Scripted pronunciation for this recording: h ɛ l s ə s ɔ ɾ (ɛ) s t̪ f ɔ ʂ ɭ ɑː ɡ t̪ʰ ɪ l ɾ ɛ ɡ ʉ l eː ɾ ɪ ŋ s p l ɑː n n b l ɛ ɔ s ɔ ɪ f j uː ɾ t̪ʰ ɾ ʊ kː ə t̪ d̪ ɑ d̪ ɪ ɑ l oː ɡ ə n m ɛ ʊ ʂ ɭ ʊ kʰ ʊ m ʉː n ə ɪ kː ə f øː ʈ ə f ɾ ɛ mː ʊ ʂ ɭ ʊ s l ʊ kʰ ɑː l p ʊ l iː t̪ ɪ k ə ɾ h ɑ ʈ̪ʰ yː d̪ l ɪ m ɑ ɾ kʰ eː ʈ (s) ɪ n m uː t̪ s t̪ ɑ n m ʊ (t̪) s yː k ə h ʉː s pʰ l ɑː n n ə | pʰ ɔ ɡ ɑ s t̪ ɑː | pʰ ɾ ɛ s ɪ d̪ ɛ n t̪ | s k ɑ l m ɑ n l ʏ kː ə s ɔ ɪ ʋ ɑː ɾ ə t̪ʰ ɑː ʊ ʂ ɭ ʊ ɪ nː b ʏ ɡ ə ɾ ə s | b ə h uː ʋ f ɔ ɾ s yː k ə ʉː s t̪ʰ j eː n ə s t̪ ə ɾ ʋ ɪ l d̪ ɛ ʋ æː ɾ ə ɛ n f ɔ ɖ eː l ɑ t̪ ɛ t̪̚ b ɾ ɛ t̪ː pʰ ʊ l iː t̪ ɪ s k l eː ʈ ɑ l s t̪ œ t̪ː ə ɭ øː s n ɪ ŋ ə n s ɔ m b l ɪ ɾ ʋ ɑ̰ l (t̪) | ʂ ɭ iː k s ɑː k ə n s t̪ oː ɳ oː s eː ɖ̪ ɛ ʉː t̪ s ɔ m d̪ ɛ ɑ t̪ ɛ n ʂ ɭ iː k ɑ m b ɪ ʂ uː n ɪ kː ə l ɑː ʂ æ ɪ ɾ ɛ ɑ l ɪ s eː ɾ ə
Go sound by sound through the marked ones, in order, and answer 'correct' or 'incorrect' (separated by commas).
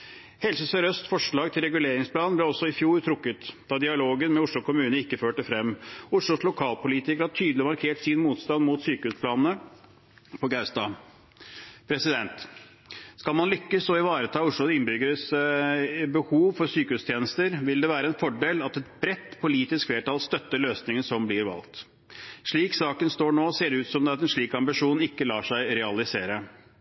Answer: incorrect, correct, correct, correct